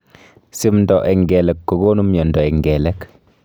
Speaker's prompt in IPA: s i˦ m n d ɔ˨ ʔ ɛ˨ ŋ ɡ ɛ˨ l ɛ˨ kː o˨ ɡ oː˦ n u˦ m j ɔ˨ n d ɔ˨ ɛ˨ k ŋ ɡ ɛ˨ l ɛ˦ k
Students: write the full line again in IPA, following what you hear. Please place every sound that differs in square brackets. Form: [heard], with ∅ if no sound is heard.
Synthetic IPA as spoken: s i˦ m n d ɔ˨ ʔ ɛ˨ ŋ ɡ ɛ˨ l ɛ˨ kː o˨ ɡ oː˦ n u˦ m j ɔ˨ n d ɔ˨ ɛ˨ [∅] ŋ ɡ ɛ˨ l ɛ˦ k

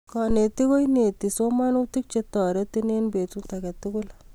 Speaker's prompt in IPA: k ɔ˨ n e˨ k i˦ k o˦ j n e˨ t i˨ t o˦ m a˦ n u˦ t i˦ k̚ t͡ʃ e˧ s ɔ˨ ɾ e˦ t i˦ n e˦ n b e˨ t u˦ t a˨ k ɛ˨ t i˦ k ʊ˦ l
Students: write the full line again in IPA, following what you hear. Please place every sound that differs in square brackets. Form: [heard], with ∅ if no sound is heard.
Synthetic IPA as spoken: k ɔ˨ n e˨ [t] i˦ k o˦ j n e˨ t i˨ [s] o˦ m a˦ n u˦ t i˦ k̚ t͡ʃ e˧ [t] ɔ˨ ɾ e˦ t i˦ n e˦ n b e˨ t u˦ t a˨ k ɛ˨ t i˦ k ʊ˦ l

